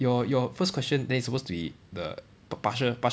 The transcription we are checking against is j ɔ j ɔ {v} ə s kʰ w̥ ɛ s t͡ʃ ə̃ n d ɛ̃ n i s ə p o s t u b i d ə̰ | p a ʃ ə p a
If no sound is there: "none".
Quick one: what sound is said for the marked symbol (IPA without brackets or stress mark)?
f